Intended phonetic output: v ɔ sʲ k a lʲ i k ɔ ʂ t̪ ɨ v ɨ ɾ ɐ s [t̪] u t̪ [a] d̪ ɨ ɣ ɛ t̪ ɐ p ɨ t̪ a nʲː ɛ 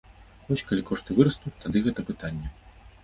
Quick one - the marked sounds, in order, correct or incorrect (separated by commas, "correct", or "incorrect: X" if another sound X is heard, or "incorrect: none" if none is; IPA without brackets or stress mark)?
correct, correct